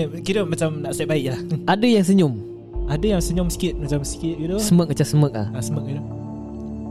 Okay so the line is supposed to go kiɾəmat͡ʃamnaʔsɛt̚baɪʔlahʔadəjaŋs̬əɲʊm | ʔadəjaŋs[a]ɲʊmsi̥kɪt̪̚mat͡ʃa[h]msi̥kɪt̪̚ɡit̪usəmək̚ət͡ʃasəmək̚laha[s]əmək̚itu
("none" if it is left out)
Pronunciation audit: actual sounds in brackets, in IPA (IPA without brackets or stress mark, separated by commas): ə, none, s